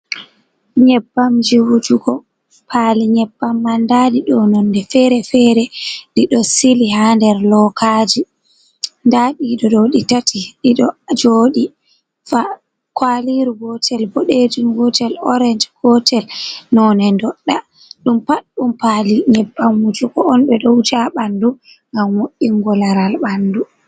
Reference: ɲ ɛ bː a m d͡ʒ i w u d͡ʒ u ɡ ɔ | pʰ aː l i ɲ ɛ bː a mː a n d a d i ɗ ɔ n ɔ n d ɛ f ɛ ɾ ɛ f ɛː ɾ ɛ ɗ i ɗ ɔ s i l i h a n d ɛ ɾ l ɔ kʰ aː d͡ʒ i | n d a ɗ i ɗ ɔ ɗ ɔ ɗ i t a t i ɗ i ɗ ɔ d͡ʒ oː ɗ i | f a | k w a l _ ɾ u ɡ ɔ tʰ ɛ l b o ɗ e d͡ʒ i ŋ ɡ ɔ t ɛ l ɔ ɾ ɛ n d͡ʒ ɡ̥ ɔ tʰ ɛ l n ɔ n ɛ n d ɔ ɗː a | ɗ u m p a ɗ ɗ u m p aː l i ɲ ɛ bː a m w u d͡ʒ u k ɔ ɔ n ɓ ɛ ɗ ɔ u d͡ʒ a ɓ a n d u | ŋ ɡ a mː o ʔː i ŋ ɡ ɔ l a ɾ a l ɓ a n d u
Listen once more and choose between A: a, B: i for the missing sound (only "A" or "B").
B